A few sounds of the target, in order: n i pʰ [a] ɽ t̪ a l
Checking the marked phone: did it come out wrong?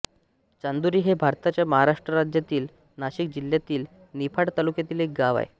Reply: no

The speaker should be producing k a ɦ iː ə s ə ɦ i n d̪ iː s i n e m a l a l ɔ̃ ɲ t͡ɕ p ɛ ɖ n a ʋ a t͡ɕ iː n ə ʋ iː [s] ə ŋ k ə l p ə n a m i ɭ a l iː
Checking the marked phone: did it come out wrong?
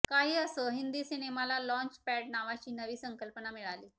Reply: no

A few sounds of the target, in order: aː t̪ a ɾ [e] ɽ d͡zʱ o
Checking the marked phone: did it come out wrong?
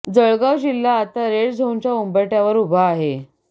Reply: no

